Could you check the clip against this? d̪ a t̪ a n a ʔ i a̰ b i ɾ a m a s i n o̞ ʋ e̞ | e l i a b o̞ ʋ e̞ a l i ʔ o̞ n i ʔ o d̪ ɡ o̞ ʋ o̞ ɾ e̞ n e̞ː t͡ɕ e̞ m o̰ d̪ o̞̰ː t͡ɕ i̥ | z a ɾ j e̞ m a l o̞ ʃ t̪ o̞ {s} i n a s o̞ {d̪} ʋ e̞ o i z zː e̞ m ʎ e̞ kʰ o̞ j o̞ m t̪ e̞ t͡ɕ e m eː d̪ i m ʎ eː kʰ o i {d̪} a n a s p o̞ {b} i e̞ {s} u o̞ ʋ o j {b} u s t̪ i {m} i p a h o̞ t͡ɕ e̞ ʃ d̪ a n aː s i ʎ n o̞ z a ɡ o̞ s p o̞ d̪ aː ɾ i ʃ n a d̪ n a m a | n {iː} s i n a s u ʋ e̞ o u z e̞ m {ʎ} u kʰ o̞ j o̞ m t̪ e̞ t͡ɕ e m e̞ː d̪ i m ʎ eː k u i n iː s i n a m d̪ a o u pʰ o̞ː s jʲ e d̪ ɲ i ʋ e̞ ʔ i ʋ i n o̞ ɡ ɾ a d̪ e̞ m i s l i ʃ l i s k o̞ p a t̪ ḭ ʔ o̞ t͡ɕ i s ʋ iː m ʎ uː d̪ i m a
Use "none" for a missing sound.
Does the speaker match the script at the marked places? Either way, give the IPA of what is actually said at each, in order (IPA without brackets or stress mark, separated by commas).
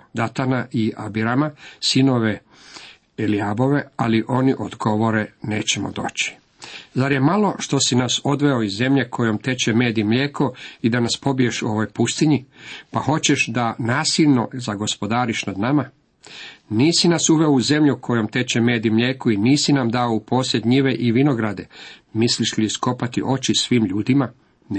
s, d̪, d̪, b, ʃ, p, ɲ, iː, ʎ